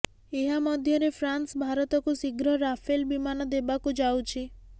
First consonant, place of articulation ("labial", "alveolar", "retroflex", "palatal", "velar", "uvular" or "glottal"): glottal